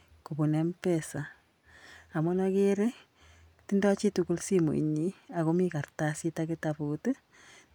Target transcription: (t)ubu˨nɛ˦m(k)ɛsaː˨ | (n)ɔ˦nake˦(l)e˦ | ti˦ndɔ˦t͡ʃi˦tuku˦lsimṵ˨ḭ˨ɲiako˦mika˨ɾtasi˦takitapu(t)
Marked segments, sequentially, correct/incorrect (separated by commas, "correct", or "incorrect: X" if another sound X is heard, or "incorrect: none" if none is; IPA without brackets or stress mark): incorrect: k, incorrect: p, incorrect: m, incorrect: ɾ, correct